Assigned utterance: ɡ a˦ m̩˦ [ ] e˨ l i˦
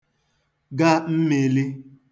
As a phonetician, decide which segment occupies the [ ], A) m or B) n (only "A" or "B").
A